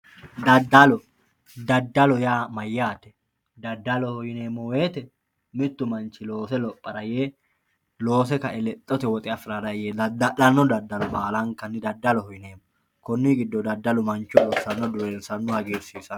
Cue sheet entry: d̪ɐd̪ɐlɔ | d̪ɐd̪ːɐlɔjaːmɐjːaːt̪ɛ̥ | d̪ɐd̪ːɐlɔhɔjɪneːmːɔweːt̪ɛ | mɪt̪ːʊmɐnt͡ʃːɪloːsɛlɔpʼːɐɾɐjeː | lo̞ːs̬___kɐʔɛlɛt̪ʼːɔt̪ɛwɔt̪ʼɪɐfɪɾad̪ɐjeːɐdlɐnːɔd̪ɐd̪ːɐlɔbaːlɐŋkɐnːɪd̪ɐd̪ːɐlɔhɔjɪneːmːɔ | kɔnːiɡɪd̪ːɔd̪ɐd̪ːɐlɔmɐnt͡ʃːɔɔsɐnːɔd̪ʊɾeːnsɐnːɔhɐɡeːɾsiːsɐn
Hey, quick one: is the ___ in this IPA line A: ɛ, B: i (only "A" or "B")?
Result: A